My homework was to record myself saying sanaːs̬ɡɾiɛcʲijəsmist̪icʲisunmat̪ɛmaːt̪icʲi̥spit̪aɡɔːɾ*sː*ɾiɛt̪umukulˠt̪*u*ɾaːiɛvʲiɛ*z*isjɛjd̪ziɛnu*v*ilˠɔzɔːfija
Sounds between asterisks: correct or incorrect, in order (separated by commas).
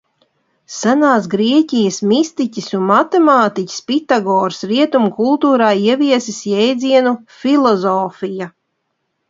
incorrect, incorrect, incorrect, incorrect